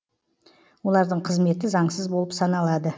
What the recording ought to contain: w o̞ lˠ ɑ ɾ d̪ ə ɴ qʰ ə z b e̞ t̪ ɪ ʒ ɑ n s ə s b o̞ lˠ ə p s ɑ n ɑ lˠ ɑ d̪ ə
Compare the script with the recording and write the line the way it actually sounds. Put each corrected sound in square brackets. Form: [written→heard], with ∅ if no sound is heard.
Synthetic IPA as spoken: w o̞ lˠ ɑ ɾ d̪ ə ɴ qʰ ə z [b→m] e̞ t̪ ɪ [ʒ→z] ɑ [n→ɴ] s ə [s→z] b o̞ lˠ ə p s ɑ n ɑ lˠ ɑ d̪ ə